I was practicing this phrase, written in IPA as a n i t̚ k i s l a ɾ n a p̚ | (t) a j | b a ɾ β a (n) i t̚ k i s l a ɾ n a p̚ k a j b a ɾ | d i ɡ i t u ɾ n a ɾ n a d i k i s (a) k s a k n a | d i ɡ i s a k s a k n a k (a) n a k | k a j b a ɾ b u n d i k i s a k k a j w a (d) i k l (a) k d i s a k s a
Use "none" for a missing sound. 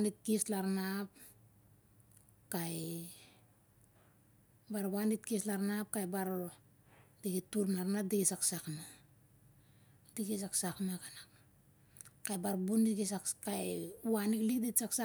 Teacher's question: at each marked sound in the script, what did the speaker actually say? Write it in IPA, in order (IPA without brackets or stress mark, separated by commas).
k, n, a, a, n, i